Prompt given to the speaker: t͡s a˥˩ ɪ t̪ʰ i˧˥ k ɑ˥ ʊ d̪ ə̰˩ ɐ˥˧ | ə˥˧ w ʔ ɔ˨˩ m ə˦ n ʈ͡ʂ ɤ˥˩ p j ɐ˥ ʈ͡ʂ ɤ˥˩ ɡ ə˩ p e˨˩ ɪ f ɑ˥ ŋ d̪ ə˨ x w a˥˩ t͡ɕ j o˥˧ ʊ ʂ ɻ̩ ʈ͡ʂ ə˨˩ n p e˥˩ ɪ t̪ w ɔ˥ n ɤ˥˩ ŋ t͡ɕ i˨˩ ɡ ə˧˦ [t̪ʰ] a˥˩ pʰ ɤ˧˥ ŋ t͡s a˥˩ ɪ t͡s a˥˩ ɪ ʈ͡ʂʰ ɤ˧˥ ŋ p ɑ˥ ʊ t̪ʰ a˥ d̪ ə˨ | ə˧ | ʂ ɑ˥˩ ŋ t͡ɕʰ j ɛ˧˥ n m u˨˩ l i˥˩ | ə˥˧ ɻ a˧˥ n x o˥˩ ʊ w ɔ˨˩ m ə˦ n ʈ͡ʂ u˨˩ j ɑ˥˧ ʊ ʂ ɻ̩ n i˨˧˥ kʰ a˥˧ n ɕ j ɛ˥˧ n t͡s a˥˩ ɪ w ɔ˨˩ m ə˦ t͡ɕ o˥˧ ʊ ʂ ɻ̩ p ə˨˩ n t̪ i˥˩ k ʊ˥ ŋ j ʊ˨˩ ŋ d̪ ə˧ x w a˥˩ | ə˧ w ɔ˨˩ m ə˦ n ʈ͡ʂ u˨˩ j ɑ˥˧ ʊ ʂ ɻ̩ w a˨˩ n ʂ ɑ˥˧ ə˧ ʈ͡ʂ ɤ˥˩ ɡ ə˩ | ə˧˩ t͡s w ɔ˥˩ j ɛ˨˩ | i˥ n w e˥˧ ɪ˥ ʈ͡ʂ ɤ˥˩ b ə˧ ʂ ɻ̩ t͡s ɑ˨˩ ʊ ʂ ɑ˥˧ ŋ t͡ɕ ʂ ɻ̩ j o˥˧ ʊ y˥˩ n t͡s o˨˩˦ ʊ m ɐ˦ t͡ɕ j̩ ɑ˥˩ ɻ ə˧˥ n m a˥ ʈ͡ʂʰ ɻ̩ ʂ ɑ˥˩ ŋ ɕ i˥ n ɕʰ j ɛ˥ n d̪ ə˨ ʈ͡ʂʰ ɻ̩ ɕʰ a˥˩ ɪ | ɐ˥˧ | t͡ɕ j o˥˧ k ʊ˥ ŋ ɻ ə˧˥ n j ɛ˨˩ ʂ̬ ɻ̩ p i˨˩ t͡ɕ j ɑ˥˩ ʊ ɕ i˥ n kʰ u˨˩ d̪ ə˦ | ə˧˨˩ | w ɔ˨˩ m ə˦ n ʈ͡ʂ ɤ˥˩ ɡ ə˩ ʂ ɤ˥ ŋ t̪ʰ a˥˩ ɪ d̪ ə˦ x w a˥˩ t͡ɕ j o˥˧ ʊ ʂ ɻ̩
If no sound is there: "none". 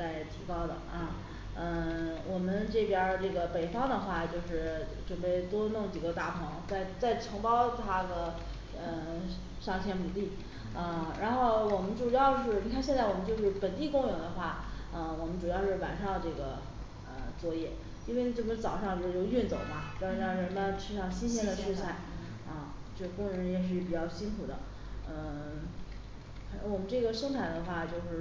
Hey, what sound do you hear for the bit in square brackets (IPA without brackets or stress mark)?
t̪